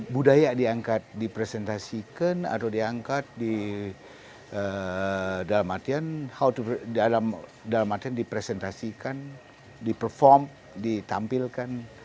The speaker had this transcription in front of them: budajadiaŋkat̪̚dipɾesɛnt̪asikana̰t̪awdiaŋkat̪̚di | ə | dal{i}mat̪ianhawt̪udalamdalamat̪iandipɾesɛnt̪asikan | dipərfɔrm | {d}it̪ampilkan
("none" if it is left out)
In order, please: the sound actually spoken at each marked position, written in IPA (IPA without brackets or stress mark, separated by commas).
a, d